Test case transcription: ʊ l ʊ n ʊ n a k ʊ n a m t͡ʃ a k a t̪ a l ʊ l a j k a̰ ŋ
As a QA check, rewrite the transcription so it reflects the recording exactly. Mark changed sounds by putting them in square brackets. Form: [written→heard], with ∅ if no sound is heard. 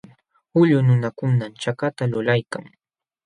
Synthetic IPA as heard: ʊ [l→ʎ] ʊ n ʊ n a k ʊ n a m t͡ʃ a k a t̪ a l ʊ l a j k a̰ ŋ